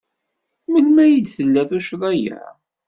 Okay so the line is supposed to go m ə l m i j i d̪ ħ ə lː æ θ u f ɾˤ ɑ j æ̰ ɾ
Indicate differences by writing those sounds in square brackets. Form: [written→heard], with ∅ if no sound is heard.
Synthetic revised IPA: m ə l m [i→æ] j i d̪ [ħ→θ] ə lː æ θ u [f→ʃ] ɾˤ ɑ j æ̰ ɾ